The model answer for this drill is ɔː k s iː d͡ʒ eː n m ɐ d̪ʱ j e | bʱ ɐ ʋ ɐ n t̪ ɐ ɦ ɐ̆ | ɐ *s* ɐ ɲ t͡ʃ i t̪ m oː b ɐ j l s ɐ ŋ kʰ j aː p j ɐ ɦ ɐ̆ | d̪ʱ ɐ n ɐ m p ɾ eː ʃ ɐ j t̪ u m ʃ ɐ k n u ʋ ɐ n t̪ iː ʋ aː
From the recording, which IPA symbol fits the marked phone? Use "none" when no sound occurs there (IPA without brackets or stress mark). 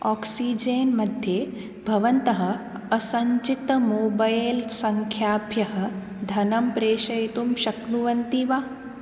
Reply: s